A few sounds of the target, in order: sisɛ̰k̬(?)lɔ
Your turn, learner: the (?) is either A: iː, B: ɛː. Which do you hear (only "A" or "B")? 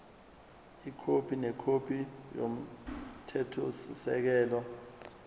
B